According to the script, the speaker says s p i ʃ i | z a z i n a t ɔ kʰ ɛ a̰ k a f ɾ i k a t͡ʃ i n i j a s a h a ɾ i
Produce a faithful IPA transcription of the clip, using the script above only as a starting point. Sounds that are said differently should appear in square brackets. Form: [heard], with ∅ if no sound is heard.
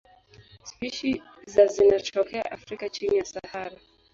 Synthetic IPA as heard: s p i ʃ i | z a z i n a [t͡ʃ] ɔ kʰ ɛ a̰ [ʔ] a f ɾ i k a t͡ʃ i n i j a s a h a ɾ [a]